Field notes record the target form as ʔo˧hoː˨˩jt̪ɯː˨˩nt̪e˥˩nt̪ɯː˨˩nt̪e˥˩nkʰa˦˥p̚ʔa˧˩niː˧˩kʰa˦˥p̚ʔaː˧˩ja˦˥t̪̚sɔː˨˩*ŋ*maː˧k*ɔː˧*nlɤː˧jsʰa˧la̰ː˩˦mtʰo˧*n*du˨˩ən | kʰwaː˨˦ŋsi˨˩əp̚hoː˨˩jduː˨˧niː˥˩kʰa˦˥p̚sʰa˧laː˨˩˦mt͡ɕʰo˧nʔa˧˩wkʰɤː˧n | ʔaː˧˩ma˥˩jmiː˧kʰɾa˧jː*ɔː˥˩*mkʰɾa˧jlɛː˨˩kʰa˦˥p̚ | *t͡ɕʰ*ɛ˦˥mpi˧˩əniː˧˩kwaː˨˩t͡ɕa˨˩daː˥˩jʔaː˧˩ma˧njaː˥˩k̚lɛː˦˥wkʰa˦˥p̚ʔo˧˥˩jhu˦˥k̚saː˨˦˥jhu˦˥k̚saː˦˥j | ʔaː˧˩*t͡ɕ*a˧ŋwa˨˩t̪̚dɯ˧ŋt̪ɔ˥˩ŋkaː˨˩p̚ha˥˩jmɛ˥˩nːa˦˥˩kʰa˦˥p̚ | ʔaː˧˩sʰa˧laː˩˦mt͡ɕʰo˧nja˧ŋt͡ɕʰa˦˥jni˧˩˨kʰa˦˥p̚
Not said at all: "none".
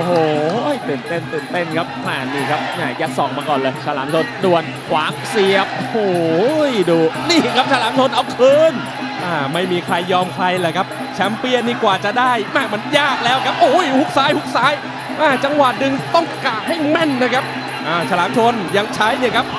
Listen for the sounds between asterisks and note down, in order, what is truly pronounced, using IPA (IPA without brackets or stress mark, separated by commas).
ŋ, ɔː˨˩, n, ɔː˧, t͡ɕʰ, t͡ɕ